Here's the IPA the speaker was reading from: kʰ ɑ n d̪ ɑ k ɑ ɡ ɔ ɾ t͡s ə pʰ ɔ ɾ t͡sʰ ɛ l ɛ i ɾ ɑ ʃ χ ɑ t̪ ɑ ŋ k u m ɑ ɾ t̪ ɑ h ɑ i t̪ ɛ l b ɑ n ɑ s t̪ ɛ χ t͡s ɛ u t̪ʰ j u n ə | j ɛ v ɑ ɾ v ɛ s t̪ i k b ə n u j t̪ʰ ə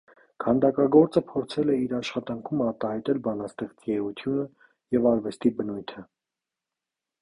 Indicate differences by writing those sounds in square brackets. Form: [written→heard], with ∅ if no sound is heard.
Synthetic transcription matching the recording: kʰ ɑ n d̪ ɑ k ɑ ɡ ɔ ɾ t͡s ə pʰ ɔ ɾ t͡sʰ ɛ l ɛ i ɾ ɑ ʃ χ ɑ t̪ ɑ ŋ [k→kʰ] u m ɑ ɾ t̪ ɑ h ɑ [i→j] t̪ ɛ l b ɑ n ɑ s t̪ ɛ χ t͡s ɛ u t̪ʰ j u n ə | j ɛ v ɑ ɾ v ɛ s t̪ i [k→∅] b ə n u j t̪ʰ ə